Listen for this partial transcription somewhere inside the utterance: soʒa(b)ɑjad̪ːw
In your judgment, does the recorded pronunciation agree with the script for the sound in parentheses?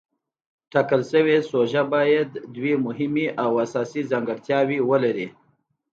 yes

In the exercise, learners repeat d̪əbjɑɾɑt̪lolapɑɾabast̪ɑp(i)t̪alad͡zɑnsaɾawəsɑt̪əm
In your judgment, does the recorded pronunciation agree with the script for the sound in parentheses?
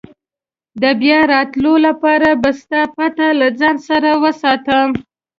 no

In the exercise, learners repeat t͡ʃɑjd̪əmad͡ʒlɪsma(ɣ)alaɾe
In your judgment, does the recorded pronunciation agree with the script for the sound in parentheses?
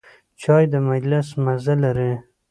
no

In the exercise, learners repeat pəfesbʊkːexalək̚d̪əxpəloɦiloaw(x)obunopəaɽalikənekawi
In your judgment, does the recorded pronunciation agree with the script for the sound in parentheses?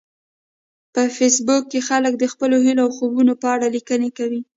yes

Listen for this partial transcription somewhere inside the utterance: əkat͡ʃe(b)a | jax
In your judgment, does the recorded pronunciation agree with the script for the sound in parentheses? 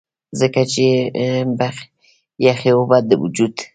yes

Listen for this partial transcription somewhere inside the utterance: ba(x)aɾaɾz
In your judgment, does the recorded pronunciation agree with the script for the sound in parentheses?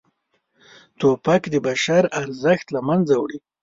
no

